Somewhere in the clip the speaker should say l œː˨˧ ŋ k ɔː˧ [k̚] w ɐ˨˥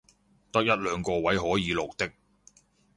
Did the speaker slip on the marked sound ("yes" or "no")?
yes